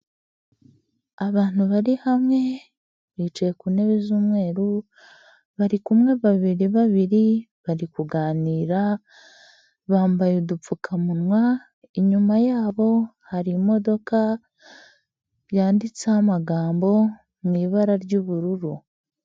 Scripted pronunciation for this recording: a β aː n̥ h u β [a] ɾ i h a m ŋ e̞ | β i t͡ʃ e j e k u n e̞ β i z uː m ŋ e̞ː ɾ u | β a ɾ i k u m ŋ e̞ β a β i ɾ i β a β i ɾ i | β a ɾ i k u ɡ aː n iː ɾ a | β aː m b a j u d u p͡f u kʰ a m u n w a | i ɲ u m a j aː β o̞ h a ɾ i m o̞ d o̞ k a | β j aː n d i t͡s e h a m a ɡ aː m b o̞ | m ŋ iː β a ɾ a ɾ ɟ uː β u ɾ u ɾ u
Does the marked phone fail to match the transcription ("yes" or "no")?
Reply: no